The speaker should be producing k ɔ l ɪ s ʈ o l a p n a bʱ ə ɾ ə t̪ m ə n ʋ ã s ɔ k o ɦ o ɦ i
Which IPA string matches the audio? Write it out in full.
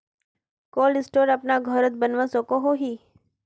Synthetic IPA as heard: k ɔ l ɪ s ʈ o ɾ a p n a ɡʱ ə ɾ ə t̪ b ə n ʋ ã s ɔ k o ɦ o ɦ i